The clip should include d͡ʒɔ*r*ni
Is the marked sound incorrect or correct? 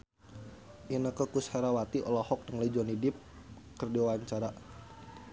incorrect: none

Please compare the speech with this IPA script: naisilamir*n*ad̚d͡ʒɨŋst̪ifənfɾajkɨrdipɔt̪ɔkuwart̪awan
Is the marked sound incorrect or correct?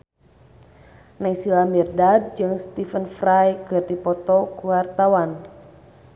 incorrect: d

